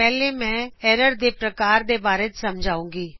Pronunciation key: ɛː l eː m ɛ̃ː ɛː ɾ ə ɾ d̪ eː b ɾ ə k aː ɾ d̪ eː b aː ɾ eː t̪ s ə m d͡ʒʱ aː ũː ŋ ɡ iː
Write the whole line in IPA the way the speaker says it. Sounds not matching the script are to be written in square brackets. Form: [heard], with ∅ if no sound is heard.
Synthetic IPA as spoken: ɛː l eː m ɛ̃ː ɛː ɾ ə ɾ d̪ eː [p] ɾ ə k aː ɾ d̪ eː b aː ɾ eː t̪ s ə m d͡ʒʱ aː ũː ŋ ɡ iː